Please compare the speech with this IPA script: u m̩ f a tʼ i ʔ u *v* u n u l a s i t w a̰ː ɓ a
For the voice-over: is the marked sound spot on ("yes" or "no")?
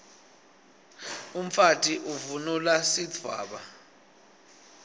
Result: yes